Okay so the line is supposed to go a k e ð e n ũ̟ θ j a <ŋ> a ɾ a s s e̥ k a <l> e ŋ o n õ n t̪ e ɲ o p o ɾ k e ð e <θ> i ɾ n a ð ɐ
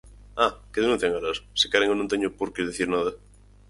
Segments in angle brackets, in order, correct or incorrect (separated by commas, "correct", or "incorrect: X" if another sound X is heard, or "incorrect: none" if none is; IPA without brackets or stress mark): correct, incorrect: ɾ, correct